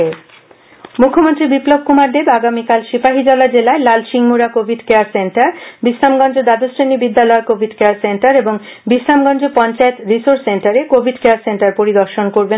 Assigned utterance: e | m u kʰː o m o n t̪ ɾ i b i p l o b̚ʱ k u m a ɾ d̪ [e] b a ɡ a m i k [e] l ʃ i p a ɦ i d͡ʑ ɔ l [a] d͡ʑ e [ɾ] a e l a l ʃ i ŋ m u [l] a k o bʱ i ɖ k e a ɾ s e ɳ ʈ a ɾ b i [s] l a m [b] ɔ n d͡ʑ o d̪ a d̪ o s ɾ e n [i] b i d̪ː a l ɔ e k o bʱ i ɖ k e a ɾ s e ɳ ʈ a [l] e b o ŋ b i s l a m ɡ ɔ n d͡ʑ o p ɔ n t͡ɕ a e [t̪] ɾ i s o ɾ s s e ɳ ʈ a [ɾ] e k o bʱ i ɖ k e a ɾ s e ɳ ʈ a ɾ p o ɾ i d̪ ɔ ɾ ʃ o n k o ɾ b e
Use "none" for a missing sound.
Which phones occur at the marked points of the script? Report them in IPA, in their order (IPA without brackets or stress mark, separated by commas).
e, a, a, l, ɾ, s, ɡ, i, ɾ, t̪, ɾ